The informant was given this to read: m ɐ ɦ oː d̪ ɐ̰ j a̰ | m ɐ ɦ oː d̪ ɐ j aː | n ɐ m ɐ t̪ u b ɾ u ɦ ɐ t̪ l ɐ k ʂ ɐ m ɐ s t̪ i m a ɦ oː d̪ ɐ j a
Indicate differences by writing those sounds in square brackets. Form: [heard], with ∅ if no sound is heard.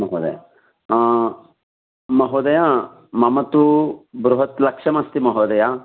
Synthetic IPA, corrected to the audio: m ɐ ɦ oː d̪ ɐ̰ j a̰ | m ɐ ɦ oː d̪ ɐ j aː | [m] ɐ m ɐ t̪ u b ɾ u ɦ ɐ t̪ l ɐ k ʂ ɐ m ɐ s t̪ i m [ɐ] ɦ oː d̪ ɐ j a